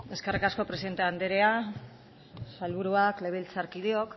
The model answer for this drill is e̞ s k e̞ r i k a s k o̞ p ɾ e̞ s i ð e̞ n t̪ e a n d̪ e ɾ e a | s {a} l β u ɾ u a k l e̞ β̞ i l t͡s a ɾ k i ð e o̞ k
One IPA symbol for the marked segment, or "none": a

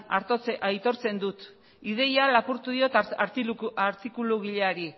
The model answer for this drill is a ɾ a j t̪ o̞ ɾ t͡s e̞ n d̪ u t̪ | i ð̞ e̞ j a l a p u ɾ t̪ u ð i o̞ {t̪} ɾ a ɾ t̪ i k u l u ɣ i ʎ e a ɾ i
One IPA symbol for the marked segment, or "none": t̪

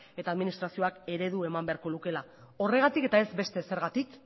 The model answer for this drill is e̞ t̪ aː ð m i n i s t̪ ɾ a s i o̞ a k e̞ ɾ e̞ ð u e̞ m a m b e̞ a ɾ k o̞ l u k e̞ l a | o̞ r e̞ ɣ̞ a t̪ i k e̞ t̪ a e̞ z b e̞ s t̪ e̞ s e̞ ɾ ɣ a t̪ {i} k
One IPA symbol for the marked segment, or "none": i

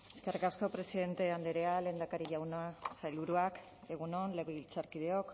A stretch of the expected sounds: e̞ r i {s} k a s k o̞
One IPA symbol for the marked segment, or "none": none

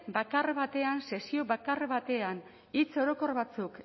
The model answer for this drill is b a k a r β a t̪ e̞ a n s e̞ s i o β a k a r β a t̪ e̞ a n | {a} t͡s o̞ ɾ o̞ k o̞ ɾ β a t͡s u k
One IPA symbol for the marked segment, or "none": i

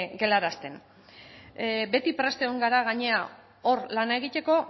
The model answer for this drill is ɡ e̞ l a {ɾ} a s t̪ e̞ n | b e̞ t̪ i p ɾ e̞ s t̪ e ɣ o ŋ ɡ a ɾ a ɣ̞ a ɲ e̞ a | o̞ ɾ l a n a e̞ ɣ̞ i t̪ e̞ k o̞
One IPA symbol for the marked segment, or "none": ɾ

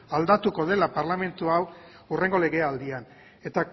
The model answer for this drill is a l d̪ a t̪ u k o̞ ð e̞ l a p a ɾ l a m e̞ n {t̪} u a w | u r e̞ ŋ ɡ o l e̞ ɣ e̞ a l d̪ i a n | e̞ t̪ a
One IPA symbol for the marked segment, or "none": t̪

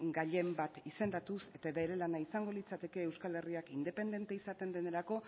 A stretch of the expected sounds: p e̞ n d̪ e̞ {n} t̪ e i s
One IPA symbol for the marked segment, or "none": n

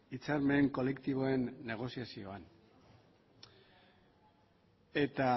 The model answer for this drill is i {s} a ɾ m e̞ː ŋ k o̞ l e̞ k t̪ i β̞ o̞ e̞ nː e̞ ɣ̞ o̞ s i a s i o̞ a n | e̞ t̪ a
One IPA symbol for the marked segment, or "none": t͡s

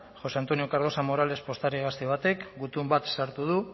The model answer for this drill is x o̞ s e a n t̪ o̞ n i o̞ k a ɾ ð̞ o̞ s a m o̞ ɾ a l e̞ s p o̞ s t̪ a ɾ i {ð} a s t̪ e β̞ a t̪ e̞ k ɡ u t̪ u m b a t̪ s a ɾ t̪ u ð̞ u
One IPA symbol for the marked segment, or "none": ɣ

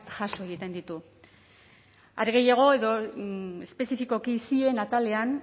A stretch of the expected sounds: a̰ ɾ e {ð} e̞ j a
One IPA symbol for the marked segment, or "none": ɣ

